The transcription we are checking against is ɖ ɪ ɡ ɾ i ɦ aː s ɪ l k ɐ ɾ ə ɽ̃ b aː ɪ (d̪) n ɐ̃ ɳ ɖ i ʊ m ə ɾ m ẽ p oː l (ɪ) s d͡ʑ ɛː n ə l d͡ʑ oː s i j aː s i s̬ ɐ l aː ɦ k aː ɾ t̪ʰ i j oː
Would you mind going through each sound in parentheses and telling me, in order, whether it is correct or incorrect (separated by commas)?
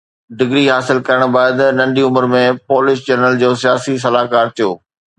correct, correct